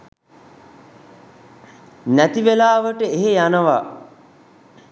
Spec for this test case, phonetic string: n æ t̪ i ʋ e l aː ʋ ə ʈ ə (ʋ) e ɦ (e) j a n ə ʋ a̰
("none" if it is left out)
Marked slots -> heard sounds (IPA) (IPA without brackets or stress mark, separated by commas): none, e